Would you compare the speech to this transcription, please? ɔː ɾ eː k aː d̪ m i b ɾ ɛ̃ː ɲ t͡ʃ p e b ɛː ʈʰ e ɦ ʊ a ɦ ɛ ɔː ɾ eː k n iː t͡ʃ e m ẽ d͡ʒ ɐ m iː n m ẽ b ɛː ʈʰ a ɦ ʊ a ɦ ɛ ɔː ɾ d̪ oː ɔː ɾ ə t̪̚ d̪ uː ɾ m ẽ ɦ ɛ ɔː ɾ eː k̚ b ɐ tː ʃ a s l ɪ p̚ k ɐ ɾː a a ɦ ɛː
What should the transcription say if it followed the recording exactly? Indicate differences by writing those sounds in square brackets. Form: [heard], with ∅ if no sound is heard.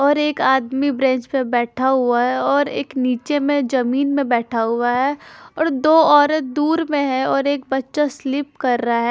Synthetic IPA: ɔː ɾ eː k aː d̪ m i b ɾ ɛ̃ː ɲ t͡ʃ p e b ɛː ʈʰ [a] ɦ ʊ a ɦ ɛ ɔː ɾ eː k n iː t͡ʃ e m ẽ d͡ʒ ɐ m iː n m ẽ b ɛː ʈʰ a ɦ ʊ a ɦ ɛ ɔː ɾ d̪ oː ɔː ɾ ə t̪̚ d̪ uː ɾ m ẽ ɦ ɛ ɔː ɾ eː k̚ b ɐ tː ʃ a s l ɪ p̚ k ɐ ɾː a a ɦ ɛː